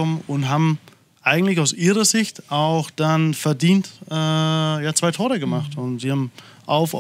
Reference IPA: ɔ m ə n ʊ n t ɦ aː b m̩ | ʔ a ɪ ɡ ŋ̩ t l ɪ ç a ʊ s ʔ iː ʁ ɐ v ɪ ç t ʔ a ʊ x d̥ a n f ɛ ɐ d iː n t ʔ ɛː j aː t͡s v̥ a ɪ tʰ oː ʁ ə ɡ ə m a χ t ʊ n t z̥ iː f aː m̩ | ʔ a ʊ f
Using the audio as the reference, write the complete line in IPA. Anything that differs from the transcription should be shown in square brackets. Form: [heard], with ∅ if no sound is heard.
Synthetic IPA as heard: ɔ m ə n ʊ n t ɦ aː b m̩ | ʔ a ɪ ɡ ŋ̩ t l ɪ ç a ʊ s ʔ iː ʁ ɐ [z] ɪ ç t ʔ a ʊ x d̥ a n f ɛ ɐ d iː n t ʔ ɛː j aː t͡s v̥ a ɪ tʰ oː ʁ ə ɡ ə m a χ t ʊ n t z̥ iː [h] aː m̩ | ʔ a ʊ f